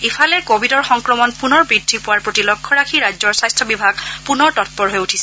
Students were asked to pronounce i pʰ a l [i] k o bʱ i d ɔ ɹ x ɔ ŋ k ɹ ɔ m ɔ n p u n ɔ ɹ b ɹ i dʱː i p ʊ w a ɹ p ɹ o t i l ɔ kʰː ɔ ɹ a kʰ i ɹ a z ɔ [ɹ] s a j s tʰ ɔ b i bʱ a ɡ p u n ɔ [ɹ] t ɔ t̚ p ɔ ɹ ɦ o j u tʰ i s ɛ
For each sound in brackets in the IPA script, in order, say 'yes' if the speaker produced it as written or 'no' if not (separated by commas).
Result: no, yes, yes